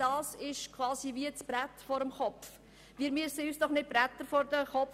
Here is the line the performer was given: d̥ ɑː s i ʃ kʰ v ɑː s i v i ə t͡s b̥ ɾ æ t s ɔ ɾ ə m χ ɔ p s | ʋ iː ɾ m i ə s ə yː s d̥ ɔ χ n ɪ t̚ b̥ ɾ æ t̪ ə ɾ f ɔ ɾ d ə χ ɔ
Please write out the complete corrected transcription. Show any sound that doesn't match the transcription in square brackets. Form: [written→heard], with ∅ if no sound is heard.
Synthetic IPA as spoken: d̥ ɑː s [i→ɪ] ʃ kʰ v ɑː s i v i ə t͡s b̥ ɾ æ t [s→f] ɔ ɾ ə m χ ɔ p [s→f] | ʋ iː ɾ m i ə s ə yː s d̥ ɔ χ n ɪ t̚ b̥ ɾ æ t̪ ə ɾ f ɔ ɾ d ə χ ɔ